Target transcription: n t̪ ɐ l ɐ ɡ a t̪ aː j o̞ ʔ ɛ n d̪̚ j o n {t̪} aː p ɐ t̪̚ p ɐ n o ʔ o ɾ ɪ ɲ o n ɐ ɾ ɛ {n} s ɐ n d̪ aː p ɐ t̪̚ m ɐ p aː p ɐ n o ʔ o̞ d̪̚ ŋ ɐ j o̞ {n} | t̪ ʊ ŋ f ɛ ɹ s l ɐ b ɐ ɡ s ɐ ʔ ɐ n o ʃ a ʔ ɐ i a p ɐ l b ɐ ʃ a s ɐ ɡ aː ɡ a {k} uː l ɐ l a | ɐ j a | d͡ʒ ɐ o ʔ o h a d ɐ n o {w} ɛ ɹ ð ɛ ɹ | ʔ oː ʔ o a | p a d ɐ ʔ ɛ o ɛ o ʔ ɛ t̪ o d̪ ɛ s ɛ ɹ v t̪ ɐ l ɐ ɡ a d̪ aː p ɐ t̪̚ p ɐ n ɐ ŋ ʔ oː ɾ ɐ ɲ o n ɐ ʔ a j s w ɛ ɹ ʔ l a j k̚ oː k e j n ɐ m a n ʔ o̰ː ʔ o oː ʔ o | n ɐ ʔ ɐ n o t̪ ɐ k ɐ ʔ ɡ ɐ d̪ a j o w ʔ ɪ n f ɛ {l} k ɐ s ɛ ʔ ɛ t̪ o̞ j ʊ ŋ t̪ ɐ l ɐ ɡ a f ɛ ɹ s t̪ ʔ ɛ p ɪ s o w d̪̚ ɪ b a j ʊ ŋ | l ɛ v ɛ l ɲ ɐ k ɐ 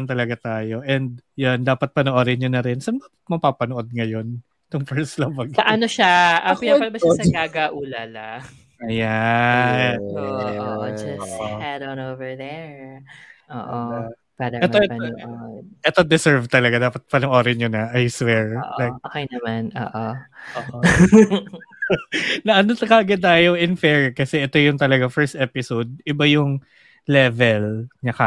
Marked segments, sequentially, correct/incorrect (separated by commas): incorrect, correct, correct, incorrect, incorrect, incorrect